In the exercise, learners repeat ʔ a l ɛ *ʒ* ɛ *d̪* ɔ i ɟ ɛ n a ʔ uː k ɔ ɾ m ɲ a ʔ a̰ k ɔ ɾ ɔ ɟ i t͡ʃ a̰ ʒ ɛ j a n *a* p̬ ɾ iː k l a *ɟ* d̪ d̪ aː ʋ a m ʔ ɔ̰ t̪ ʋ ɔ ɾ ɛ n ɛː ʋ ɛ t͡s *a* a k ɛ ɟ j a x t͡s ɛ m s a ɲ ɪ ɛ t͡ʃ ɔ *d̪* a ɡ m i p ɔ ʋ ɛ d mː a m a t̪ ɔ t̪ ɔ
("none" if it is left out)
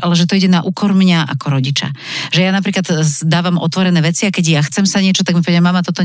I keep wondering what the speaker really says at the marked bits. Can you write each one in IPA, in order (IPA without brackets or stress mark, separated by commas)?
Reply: ʒ, t̪, a, none, i, t̪